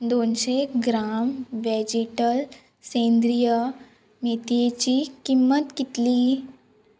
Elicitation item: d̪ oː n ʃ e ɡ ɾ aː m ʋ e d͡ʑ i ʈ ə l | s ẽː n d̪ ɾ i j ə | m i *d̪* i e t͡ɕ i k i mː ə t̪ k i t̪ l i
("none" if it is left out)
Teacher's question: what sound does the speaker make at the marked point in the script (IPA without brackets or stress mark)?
t̪